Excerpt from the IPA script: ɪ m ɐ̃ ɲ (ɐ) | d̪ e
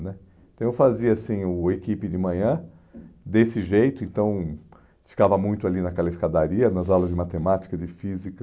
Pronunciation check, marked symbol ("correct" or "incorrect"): incorrect